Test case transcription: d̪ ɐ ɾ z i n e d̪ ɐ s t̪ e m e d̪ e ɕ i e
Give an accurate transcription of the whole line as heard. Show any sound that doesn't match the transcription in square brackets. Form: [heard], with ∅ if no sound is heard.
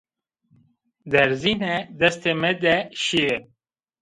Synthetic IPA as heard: d̪ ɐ ɾ z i n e d̪ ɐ s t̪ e m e d̪ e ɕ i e

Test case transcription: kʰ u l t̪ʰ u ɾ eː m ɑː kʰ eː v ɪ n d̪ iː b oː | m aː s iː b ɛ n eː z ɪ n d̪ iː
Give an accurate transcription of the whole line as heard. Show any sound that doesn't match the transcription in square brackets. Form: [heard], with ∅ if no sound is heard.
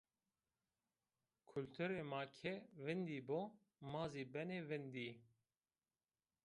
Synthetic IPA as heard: kʰ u l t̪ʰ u ɾ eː m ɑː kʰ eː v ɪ n d̪ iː b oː | m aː [z] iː b ɛ n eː [v] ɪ n d̪ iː

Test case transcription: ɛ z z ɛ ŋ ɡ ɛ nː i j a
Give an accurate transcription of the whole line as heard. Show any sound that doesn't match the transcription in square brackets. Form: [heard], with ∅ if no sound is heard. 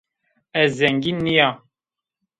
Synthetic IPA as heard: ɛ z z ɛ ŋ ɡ [i] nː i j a

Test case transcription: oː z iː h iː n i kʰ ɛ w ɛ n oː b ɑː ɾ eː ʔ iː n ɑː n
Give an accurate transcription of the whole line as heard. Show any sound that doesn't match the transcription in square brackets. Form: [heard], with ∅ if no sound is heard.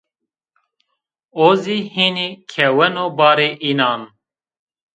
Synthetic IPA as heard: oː z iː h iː n i kʰ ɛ w ɛ n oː b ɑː ɾ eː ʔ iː n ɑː n

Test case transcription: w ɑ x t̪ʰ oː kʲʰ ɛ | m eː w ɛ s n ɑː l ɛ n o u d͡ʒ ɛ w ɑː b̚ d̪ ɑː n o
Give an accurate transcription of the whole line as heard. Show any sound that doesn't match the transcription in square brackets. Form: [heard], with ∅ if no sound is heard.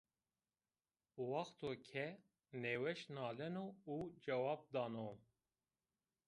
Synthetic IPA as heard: w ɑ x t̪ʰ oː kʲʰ ɛ | [n] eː w ɛ [ʃ] n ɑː l ɛ n o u d͡ʒ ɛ w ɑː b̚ d̪ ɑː n o

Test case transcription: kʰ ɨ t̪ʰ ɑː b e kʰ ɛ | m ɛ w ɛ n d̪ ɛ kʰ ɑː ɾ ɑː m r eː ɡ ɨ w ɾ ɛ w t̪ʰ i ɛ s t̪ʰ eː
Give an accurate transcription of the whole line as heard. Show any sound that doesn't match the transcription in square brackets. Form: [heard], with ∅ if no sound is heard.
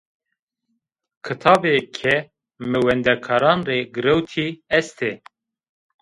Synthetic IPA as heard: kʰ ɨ t̪ʰ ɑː b e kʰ ɛ | m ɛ w ɛ n d̪ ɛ kʰ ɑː ɾ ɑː [n] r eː ɡ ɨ [∅] ɾ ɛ w t̪ʰ i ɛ s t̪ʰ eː

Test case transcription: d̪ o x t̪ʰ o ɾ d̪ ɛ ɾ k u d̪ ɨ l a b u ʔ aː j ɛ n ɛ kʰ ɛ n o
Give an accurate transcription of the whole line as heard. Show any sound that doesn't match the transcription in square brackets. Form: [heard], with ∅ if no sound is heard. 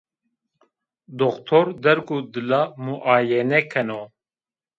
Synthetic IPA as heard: d̪ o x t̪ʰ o ɾ d̪ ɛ ɾ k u d̪ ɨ l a [m] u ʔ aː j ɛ n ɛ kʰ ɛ n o

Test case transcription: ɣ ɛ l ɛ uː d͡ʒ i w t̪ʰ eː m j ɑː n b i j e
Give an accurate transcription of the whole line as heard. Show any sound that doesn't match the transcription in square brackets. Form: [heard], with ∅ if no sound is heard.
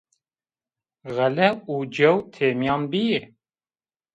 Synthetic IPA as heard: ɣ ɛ l ɛ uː d͡ʒ [ɛ] w t̪ʰ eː m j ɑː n b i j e

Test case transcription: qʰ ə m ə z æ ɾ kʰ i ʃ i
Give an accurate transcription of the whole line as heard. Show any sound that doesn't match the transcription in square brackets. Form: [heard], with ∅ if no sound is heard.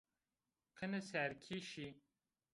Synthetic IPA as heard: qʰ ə [n] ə [s] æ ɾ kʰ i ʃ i

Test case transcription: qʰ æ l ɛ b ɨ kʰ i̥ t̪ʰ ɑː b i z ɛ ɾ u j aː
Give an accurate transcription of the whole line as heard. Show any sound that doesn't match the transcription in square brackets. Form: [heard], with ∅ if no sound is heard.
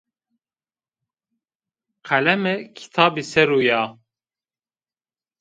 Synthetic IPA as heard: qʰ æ l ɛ [m] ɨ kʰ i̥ t̪ʰ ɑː b i [s] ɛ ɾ u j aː

